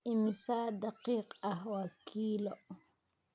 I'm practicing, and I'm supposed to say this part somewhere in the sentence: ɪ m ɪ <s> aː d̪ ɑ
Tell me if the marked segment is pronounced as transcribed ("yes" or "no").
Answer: yes